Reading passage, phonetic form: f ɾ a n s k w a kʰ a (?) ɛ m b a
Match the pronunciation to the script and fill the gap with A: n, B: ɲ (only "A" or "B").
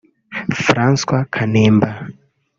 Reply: A